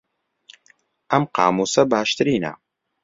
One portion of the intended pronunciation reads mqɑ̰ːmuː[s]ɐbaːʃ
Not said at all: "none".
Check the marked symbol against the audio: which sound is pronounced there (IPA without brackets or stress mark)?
s